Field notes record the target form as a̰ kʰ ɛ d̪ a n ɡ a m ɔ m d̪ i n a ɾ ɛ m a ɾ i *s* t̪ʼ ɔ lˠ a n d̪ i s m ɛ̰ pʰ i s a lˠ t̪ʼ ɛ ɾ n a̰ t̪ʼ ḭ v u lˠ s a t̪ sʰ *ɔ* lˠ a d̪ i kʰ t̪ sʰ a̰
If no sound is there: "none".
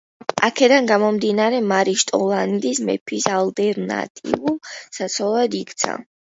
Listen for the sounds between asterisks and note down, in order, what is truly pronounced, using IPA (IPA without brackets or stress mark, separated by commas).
ʃ, ɔ